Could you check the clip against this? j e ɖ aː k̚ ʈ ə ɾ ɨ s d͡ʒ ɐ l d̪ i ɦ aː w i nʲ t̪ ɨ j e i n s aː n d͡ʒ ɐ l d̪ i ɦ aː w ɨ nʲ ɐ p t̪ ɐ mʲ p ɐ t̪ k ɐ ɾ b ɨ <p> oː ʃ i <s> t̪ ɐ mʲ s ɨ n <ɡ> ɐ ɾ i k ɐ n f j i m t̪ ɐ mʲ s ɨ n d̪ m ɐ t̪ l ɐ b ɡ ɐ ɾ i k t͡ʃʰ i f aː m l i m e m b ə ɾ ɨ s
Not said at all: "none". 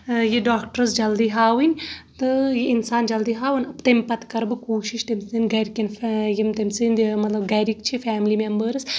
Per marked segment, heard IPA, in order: k, ʃ, ɡ

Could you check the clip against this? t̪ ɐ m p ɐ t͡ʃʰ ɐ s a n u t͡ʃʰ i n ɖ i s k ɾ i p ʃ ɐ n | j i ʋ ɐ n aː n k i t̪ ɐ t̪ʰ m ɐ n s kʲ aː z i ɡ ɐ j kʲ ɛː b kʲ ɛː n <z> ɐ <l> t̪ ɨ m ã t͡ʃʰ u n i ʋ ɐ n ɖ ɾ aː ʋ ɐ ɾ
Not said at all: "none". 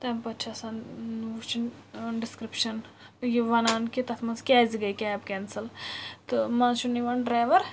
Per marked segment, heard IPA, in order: s, l

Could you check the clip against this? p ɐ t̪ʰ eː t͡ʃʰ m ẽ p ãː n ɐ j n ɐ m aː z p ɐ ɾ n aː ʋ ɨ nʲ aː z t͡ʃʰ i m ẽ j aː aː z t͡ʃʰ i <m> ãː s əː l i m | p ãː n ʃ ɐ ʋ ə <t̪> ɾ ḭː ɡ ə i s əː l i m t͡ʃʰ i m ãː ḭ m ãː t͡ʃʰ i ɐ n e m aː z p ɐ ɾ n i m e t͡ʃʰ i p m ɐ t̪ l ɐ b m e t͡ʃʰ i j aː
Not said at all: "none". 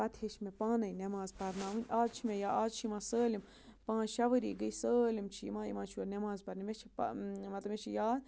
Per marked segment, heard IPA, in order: m, none

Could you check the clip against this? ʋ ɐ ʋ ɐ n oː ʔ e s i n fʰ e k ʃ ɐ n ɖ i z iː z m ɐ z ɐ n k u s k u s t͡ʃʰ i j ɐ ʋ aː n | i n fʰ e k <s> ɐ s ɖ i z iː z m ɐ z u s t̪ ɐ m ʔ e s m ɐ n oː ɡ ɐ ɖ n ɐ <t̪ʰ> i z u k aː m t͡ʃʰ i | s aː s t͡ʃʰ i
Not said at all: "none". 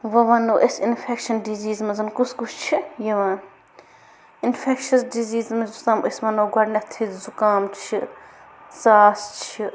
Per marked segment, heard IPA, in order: ʃ, t̪ʰ

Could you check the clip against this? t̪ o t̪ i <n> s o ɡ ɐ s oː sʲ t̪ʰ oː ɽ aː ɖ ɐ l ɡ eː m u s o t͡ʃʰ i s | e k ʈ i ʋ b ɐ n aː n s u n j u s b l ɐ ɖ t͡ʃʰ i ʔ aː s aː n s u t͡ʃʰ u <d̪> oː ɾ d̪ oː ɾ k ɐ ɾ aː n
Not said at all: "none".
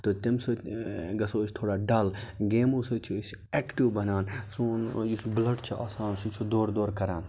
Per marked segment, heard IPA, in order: m, d̪

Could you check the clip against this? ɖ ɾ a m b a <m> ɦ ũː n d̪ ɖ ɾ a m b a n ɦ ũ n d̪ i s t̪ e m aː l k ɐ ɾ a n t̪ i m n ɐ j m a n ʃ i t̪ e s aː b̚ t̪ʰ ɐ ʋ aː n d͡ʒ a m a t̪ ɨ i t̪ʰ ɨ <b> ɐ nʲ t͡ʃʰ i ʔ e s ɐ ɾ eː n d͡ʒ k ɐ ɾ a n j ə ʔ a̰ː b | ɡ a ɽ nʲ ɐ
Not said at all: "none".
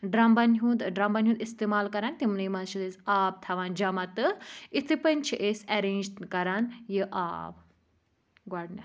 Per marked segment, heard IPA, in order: n, p

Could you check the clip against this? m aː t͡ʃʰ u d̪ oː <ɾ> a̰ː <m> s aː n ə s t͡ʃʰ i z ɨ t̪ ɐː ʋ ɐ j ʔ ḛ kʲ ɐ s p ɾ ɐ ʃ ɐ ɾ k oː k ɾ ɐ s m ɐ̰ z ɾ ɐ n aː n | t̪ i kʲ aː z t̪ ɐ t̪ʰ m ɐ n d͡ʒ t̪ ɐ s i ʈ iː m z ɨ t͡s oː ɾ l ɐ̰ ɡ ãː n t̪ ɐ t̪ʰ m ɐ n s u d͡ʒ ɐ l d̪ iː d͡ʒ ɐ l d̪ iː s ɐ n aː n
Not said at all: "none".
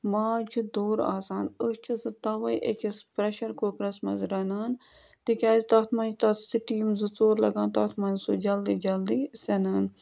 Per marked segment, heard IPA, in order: ɾ, none

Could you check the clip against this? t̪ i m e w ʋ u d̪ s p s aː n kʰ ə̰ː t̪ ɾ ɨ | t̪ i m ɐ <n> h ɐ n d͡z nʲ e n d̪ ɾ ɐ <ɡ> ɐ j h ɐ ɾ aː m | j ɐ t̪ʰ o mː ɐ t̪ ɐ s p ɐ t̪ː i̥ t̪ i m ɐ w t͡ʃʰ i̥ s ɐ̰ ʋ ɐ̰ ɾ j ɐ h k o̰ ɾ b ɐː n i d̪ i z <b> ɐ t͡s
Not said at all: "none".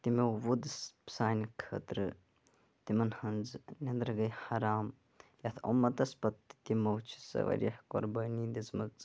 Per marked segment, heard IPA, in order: n, ɡ, m

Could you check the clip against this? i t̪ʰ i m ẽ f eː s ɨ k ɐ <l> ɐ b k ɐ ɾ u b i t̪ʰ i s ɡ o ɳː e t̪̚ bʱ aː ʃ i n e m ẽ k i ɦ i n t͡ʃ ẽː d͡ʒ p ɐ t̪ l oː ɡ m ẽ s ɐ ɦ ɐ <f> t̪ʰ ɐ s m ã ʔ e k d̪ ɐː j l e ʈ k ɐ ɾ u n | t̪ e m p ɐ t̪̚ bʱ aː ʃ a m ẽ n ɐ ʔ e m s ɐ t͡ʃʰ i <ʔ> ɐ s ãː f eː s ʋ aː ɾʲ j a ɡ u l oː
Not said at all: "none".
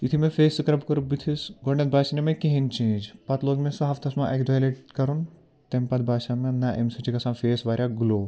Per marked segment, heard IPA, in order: ɾ, f, k

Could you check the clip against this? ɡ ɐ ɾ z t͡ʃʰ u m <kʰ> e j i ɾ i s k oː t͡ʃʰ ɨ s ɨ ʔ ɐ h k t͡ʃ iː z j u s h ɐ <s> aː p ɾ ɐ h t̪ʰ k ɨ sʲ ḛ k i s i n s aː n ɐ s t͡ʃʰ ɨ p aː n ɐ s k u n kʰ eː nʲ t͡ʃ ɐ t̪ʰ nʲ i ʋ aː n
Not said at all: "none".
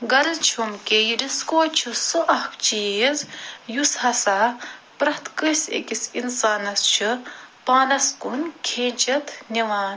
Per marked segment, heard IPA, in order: k, s

